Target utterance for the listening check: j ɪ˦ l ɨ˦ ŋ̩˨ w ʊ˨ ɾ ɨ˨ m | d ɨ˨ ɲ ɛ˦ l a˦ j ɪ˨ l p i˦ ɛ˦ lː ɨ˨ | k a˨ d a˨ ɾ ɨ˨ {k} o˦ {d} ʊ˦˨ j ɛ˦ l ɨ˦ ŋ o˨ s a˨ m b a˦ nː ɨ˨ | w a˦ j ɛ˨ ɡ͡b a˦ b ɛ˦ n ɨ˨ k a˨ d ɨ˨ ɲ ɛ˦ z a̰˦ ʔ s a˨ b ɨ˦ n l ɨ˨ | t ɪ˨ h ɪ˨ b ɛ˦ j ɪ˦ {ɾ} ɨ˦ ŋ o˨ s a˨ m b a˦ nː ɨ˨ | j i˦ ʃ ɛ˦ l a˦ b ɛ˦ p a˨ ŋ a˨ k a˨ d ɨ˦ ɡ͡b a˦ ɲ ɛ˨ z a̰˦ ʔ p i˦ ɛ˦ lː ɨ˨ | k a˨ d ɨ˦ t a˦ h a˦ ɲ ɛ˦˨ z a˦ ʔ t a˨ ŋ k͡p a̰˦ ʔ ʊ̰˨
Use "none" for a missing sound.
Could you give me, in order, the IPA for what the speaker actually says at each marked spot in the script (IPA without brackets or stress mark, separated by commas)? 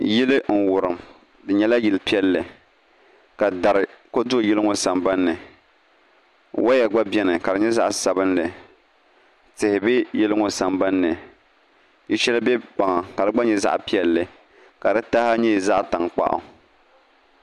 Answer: k, d, l